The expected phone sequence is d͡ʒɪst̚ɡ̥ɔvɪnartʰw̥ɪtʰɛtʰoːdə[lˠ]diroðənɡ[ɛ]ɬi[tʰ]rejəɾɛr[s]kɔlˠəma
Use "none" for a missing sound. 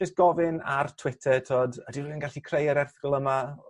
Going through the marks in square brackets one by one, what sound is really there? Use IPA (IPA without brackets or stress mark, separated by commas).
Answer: none, a, kʰ, θ